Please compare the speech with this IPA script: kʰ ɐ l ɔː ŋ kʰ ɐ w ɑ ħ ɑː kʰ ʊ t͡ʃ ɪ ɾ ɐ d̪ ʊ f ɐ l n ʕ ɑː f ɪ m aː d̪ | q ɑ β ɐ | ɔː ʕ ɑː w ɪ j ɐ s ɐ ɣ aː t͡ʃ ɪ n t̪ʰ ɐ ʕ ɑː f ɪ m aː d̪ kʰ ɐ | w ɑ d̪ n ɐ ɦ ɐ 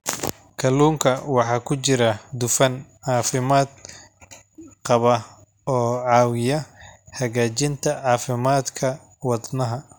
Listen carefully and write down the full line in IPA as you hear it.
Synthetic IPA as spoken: kʰ ɐ l uː ŋ kʰ ɐ w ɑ ħ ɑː kʰ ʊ t͡ʃ ɪ ɾ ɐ d̪ ʊ f ɐ n ʕ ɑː f ɪ m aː d̪ | q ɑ β ɐ | ɔː ʕ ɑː w ɪ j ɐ h ɐ ɣ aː t͡ʃ ɪ n t̪ʰ ɐ ʕ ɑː f ɪ m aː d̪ kʰ ɐ | w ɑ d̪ n ɐ ɦ ɐ